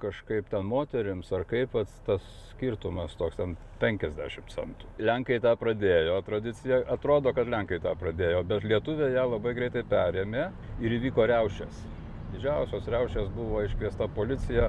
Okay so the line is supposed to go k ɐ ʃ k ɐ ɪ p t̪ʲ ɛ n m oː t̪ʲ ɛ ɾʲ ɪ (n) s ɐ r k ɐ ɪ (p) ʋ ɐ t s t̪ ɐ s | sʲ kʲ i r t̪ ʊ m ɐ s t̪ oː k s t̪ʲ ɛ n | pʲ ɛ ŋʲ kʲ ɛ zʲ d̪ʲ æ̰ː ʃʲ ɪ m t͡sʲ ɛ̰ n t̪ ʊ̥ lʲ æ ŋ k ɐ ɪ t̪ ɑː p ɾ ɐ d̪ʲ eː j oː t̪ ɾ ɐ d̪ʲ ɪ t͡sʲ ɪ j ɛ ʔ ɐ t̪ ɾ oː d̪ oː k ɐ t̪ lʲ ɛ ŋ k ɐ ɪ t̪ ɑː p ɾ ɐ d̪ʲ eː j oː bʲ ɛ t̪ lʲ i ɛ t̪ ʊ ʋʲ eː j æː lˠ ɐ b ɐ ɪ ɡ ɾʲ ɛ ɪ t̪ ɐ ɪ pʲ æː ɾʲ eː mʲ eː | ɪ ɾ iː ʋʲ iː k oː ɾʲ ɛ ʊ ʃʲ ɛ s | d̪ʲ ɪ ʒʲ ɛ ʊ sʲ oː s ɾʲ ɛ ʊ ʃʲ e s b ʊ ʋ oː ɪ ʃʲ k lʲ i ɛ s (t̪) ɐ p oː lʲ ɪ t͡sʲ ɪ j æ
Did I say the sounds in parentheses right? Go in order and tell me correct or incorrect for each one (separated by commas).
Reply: incorrect, correct, correct